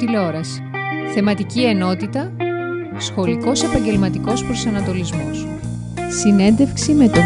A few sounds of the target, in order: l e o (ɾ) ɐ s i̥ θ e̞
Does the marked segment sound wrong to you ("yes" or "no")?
no